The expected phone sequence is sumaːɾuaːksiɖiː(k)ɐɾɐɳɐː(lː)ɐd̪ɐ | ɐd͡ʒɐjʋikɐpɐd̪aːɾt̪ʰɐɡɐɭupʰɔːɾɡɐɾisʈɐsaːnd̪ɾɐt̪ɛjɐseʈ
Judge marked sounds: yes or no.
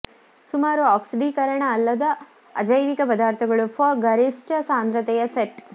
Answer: yes, yes

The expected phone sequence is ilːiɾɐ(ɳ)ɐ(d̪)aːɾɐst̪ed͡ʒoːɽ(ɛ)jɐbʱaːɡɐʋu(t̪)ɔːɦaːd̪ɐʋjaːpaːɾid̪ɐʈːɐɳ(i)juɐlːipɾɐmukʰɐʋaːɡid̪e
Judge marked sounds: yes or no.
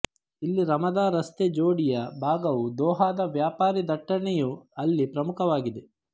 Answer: no, yes, no, no, no

